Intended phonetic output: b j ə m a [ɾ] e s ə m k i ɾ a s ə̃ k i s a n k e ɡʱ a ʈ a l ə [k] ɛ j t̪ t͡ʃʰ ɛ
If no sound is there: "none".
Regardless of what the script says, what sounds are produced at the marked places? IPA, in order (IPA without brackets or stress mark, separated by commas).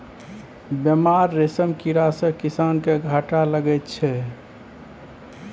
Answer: ɾː, ɡ